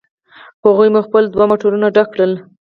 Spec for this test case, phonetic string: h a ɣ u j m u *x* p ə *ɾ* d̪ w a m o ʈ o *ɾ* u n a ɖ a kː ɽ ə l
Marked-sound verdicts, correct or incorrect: correct, incorrect: l, correct

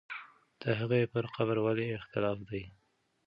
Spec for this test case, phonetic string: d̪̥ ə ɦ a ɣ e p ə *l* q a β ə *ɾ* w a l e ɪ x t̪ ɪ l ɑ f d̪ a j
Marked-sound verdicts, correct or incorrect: incorrect: ɾ, correct

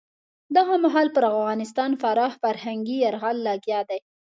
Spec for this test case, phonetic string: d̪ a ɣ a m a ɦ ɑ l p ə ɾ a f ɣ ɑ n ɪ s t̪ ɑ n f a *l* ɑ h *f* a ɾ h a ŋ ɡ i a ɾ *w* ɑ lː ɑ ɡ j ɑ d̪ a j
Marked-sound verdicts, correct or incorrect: incorrect: ɾ, correct, incorrect: ɣ

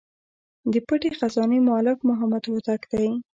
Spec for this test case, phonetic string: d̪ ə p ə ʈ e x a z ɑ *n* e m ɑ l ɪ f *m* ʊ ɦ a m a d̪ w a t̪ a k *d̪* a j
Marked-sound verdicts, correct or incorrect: correct, correct, correct

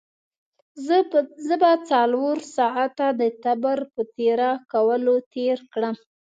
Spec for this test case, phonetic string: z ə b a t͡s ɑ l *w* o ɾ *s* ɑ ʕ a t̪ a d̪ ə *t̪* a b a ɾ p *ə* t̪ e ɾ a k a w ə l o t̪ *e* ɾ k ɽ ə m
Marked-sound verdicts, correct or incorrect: correct, correct, correct, correct, correct

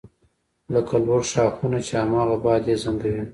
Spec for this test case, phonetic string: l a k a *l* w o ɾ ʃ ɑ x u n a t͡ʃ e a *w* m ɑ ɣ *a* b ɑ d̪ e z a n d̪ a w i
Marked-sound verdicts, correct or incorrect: correct, incorrect: none, correct

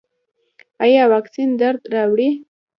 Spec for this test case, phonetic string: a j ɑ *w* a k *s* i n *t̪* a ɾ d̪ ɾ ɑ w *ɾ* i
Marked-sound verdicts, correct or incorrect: correct, correct, incorrect: d̪, incorrect: ɽ

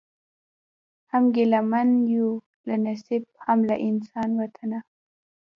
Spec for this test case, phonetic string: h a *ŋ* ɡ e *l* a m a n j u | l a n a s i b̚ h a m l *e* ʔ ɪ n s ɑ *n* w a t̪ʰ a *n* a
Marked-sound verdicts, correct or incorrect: incorrect: m, correct, incorrect: a, correct, correct

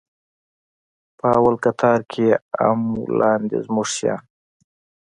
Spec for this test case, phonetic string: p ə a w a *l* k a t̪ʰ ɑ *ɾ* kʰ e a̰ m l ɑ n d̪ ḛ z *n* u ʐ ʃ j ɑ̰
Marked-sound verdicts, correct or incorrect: correct, correct, incorrect: m

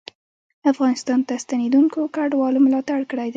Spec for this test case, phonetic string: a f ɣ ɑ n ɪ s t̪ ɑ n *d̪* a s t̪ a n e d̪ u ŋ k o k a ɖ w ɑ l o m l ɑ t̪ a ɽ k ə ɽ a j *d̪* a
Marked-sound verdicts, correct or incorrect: incorrect: t̪, correct

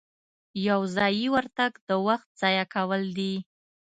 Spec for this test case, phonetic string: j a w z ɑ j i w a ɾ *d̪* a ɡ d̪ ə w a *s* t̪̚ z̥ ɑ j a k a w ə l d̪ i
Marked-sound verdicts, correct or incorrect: incorrect: t̪, incorrect: x

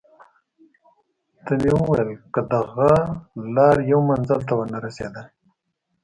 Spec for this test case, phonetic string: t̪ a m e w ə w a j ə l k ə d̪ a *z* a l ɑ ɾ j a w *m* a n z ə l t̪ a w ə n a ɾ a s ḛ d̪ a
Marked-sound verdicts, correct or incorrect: incorrect: ɣ, correct

